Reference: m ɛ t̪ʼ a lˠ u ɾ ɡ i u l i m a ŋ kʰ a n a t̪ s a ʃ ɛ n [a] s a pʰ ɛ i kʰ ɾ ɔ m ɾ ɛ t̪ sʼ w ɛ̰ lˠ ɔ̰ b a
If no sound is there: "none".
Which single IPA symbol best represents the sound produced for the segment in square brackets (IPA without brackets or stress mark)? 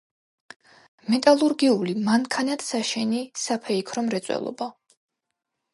i